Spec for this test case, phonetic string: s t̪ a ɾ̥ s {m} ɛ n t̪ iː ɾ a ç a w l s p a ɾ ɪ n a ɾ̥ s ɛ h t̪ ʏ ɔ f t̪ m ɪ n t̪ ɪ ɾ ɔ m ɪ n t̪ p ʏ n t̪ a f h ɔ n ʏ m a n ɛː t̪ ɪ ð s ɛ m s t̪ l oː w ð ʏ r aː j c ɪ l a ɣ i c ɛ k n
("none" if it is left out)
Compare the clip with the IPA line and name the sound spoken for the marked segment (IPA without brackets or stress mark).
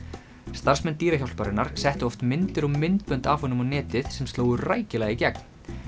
m